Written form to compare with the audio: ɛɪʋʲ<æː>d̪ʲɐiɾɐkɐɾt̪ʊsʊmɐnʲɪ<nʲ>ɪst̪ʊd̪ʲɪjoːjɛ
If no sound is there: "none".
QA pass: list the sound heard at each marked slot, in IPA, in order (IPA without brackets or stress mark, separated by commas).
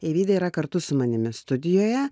iː, mʲ